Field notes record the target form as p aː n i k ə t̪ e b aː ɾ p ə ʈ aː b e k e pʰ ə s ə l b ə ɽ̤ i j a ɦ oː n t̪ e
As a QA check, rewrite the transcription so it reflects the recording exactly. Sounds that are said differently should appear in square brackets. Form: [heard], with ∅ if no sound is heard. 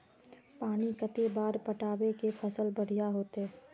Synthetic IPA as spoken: p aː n i k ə t̪ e b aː ɾ p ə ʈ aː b e k e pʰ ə s ə l b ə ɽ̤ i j a ɦ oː [∅] t̪ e